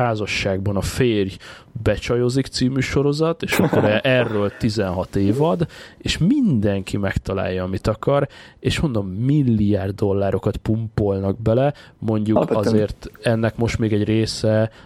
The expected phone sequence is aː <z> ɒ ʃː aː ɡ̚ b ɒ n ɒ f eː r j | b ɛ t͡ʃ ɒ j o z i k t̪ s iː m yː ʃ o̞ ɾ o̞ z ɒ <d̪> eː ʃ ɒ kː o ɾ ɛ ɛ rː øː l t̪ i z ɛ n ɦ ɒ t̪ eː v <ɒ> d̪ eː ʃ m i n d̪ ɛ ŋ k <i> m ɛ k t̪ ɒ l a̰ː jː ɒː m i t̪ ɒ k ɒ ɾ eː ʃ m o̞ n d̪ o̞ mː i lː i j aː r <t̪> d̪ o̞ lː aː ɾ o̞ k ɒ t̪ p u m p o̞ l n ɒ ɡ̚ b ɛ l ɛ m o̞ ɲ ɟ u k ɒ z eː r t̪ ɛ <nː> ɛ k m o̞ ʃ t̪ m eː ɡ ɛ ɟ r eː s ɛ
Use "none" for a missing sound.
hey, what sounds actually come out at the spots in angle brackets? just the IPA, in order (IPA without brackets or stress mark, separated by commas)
z, t̪, ɒ, i, d̪, nː